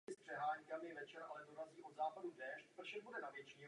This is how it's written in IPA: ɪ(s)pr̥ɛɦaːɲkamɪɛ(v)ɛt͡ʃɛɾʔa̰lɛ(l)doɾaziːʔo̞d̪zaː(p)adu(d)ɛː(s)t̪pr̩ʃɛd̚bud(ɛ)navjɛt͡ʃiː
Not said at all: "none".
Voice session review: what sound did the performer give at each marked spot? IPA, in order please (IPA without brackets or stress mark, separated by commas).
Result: s, v, none, p, d, ʃ, ɛ